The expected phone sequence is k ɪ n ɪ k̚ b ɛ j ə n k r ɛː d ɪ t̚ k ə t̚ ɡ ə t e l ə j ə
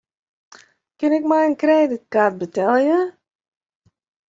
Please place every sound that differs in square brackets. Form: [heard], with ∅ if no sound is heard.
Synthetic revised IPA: k ɪ n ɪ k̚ [m] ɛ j ə n k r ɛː d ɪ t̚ k [a] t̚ [b] ə t [ɛ] l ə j ə